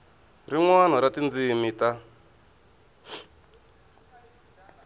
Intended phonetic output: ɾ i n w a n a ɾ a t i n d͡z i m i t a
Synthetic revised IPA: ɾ i ŋ w a n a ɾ a t i n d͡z i m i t a

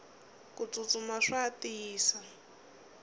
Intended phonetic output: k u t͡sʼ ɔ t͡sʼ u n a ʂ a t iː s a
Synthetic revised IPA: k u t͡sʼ u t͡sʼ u m a ʂ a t iː s a

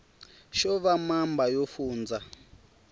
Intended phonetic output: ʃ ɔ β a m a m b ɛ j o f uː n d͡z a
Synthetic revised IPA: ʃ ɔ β a m a m b a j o f uː n d͡z a

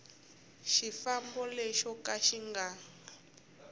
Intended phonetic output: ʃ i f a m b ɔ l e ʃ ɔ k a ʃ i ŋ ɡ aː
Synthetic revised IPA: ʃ i f a m b ɔ l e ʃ ɔ k a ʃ i ŋ ɡ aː

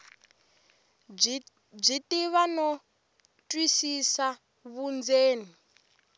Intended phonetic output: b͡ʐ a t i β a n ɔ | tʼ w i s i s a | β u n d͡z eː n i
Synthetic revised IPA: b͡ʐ i t i β a n ɔ | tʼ w i s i s a | β u n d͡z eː n i

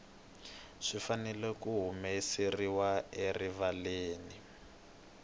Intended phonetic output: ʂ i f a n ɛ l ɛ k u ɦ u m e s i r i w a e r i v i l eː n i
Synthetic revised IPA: ʂ i f a n ɛ l ɛ k u ɦ u m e s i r i w a e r i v a l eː n i

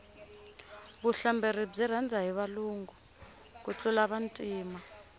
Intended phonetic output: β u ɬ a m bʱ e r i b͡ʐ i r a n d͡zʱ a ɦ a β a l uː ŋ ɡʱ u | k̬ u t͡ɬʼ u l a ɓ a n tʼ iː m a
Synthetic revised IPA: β u ɬ a m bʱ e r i b͡ʐ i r a n d͡zʱ a ɦ i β a l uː ŋ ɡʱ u | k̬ u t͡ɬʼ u l a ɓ a n tʼ iː m a

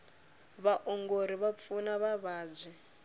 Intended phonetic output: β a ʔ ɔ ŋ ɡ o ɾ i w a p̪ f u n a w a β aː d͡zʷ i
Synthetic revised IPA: β a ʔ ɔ ŋ ɡ o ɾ i β a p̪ f u n a β a β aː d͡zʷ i

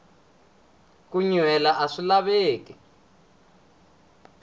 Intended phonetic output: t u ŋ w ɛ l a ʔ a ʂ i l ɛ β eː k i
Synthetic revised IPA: k u ɲ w ɛ l a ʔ a ʂ i l a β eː k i

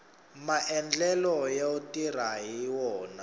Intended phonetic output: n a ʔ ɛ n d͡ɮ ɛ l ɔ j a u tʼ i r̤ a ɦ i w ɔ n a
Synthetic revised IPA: m a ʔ ɛ n d͡ɮ ɛ l ɔ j a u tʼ i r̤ a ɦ i w ɔː n a

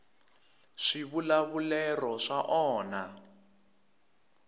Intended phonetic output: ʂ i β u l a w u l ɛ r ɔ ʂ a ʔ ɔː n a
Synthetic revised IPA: ʂ i β u l a β u l ɛ r ɔ ʂ a ʔ ɔː n a

